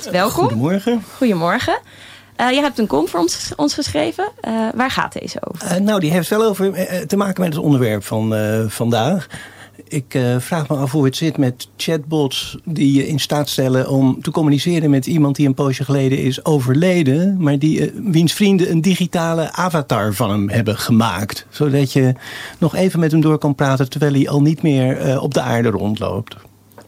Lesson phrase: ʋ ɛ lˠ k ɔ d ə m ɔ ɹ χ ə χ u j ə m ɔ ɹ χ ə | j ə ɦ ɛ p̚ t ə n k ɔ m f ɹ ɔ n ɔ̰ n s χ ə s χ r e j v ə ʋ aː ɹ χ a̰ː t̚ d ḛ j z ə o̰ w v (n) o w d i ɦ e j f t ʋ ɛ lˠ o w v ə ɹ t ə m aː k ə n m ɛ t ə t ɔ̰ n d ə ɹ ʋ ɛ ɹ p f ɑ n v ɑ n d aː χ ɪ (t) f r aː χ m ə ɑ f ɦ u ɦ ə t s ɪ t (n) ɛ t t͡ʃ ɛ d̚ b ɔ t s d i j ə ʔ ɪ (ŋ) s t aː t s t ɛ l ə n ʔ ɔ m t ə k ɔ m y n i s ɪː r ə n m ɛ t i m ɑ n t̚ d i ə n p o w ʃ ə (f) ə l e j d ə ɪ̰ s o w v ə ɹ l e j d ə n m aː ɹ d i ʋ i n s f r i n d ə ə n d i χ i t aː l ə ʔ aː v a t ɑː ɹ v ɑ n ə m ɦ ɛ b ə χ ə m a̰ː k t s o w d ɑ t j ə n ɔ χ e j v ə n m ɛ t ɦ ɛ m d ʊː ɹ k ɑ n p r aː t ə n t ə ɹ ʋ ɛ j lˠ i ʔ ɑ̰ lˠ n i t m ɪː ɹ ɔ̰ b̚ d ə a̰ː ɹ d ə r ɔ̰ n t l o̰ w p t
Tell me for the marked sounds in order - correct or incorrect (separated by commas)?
correct, incorrect, incorrect, incorrect, incorrect